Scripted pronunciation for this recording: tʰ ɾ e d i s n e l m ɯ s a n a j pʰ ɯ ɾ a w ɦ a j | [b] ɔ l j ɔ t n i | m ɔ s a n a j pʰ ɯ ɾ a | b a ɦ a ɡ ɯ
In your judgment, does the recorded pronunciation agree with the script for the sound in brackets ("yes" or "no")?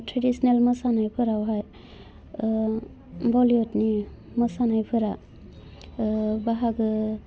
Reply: yes